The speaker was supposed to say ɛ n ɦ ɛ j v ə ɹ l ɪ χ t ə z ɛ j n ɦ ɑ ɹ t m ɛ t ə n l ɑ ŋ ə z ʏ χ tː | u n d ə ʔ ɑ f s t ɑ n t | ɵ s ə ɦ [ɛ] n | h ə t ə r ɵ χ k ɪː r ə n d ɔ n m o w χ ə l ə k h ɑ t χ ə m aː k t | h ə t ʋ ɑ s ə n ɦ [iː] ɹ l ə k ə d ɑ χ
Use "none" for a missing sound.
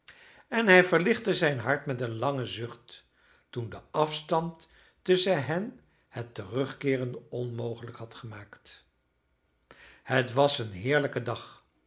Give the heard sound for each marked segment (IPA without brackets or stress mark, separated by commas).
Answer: ɛ, ɪː